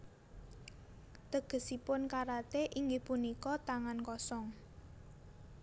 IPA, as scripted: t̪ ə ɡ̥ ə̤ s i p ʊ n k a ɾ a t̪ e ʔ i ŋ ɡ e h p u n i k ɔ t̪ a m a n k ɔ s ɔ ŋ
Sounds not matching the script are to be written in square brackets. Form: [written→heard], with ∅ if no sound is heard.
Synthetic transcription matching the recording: t̪ ə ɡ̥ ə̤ s i p ʊ n k a ɾ a t̪ e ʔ i ŋ ɡ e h p u n i k ɔ t̪ a [m→ŋ] a n k ɔ s ɔ ŋ